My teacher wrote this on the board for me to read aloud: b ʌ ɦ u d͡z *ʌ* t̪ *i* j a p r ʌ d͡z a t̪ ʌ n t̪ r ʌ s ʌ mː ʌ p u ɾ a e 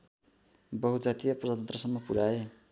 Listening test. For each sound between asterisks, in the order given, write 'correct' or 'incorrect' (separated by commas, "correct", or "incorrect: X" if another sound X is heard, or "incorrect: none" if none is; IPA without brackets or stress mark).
incorrect: a, correct